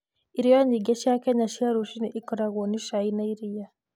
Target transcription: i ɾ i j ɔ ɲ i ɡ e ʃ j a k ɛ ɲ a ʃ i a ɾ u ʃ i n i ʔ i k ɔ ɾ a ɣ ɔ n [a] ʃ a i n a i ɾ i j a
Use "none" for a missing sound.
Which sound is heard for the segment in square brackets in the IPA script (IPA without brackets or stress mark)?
i